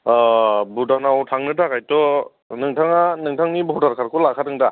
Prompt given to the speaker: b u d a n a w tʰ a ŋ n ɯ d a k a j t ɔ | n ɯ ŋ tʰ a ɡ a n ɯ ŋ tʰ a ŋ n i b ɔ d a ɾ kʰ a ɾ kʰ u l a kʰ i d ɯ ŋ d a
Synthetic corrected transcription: b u d a n a w tʰ a ŋ n ɯ d a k a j t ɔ | n ɯ ŋ tʰ a ŋ a n ɯ ŋ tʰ a ŋ n i b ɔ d a ɾ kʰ a ɾ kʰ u l a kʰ a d ɯ ŋ d a